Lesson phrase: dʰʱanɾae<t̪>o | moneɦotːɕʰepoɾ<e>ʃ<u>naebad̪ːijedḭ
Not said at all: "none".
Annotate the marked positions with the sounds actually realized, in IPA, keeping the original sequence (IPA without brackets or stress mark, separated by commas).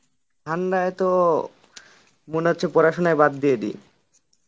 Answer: t̪, a, o